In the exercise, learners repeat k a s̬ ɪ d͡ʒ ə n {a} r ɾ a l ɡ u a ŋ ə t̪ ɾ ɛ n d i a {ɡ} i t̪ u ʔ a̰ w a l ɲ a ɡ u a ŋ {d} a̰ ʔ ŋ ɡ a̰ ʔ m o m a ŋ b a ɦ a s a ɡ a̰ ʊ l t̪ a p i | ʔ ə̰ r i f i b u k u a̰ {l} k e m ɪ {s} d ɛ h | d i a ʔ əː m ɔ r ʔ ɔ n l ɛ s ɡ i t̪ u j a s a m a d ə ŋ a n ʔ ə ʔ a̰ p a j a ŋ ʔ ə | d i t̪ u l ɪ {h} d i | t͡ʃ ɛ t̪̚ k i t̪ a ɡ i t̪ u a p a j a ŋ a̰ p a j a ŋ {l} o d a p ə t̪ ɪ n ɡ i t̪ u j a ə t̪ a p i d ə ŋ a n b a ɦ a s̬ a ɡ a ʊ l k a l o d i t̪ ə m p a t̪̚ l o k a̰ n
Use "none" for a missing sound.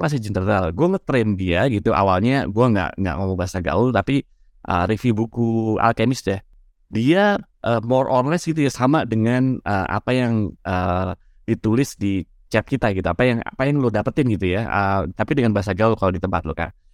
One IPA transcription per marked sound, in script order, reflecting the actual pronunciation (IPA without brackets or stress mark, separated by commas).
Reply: ə, ɡ, ɡ, l, s, s, l